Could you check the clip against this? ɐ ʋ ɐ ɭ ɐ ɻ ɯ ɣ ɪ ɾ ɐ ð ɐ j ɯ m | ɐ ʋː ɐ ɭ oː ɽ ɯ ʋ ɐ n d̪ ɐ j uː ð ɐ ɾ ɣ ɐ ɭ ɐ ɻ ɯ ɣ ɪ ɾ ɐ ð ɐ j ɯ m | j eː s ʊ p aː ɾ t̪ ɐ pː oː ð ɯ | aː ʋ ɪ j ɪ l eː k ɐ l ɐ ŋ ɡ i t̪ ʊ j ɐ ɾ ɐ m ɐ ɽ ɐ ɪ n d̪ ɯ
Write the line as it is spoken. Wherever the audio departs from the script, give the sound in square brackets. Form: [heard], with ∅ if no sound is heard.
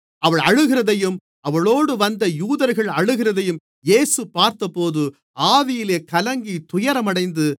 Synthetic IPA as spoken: ɐ ʋ ɐ ɭ ɐ ɻ ɯ ɣ ɪ ɾ ɐ ð ɐ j ɯ m | ɐ [ʋ] ɐ ɭ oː ɽ ɯ ʋ ɐ n d̪ ɐ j uː ð ɐ ɾ ɣ ɐ ɭ ɐ ɻ ɯ ɣ ɪ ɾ ɐ ð ɐ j ɯ m | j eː s [ɯ] p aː ɾ t̪ ɐ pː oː ð ɯ | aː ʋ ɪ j ɪ l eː k ɐ l ɐ ŋ ɡ i t̪ ʊ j ɐ ɾ ɐ m ɐ ɽ ɐ ɪ n d̪ ɯ

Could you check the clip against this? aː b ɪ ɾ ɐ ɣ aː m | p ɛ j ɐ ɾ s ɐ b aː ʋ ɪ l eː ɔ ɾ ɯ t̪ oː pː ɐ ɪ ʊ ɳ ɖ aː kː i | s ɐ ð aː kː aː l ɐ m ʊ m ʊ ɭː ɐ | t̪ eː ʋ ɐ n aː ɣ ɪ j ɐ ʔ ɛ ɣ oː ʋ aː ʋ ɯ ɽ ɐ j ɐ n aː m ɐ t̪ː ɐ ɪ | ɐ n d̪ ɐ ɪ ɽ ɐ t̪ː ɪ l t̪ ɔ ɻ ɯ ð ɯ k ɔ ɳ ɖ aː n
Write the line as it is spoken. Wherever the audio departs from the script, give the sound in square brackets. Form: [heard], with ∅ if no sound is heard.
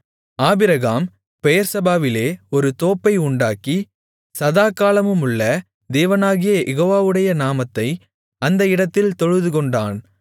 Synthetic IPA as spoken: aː b ɪ ɾ ɐ ɣ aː m | p ɛ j ɐ ɾ s ɐ b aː ʋ ɪ l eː ɔ ɾ ɯ t̪ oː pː ɐ ɪ ʊ ɳ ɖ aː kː i | s ɐ ð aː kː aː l ɐ m [ɯ] m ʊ ɭː ɐ | [d̪] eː ʋ ɐ n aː ɣ ɪ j ɐ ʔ ɛ ɣ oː ʋ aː ʋ ɯ ɽ ɐ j ɐ n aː m ɐ t̪ː ɐ ɪ | ɐ n d̪ ɐ ɪ ɽ ɐ t̪ː ɪ l t̪ ɔ ɻ ɯ ð ɯ k ɔ ɳ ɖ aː n

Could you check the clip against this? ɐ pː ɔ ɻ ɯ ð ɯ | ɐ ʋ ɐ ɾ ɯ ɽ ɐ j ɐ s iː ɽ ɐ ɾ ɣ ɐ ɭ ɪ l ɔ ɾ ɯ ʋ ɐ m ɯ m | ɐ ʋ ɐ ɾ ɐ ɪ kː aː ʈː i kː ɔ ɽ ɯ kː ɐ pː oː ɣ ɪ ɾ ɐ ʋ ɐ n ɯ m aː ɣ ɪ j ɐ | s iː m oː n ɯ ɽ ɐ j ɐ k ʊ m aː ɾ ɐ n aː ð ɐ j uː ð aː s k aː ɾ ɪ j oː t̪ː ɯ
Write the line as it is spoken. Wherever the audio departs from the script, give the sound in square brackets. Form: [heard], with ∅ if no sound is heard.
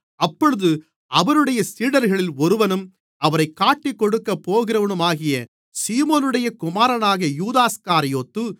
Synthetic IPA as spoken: ɐ pː ɔ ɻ ɯ ð ɯ | ɐ ʋ ɐ ɾ ɯ ɽ ɐ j ɐ s iː ɽ ɐ ɾ ɣ ɐ ɭ ɪ l ɔ ɾ ɯ ʋ ɐ [n] ɯ m | ɐ ʋ ɐ ɾ ɐ ɪ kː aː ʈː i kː ɔ ɽ ɯ kː ɐ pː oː ɣ ɪ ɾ ɐ ʋ ɐ n ɯ m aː ɣ ɪ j ɐ | s iː m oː n ɯ ɽ ɐ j ɐ k ʊ m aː ɾ ɐ n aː [ɣ] ɐ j uː ð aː s k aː ɾ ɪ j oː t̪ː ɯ

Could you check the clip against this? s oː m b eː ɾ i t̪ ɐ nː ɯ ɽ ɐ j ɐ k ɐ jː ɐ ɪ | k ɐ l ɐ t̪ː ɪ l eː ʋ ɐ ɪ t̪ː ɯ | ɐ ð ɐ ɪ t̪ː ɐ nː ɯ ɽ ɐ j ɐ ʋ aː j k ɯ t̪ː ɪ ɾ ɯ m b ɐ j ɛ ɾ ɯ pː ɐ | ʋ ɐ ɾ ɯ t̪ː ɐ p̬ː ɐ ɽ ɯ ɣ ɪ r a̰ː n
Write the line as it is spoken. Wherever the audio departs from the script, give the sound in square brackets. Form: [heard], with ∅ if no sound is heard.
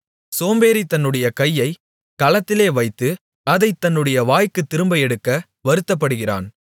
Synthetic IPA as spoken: s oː m b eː ɾ i t̪ ɐ nː ɯ ɽ ɐ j ɐ k ɐ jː ɐ ɪ | k ɐ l ɐ t̪ː ɪ l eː ʋ ɐ ɪ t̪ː ɯ | ɐ ð ɐ ɪ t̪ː ɐ nː ɯ ɽ ɐ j ɐ ʋ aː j k ɯ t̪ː ɪ ɾ ɯ m b ɐ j ɛ [ɽ] ɯ [kː] ɐ | ʋ ɐ ɾ ɯ t̪ː ɐ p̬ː ɐ ɽ ɯ ɣ ɪ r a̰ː n

